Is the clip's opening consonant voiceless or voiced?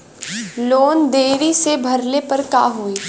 voiced